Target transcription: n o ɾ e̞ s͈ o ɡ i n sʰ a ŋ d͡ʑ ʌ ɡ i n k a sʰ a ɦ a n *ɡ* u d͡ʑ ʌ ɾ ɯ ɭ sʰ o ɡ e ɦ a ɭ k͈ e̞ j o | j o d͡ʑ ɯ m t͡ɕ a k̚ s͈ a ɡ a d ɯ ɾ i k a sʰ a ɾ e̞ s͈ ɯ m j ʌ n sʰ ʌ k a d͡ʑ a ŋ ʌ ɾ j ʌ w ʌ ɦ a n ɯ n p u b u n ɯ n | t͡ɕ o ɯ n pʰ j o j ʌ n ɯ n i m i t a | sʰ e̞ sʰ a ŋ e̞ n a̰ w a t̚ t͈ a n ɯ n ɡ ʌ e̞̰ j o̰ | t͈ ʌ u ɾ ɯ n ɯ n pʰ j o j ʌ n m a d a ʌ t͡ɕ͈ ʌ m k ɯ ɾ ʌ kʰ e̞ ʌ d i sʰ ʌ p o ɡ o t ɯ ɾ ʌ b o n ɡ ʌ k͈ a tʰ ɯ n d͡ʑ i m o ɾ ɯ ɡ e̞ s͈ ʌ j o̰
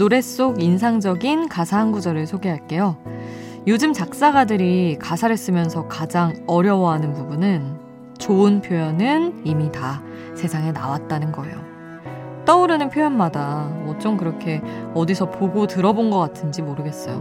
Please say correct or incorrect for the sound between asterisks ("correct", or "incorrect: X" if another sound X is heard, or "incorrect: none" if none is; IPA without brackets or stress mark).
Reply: correct